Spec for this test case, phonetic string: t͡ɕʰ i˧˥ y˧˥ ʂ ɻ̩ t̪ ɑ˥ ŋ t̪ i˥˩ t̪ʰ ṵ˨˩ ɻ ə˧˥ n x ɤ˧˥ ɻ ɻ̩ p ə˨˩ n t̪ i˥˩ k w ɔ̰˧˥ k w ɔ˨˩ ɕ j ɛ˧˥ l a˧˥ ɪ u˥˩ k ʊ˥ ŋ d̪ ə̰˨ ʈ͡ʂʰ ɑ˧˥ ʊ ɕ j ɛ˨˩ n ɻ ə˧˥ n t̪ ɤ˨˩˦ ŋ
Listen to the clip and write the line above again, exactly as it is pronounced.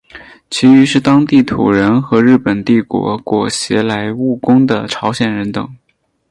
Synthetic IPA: t͡ɕʰ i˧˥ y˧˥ ʂ ɻ̩ t̪ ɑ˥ ŋ t̪ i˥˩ t̪ʰ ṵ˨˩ ɻ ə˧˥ n x ɤ˧˥ ɻ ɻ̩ p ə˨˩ n t̪ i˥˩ k w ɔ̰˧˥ k w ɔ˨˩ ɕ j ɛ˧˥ l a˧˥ ɪ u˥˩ k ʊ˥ ŋ d̪ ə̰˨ ʈ͡ʂʰ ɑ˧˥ ʊ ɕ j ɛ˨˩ n ɻ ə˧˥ n t̪ ɤ˨˩˦ ŋ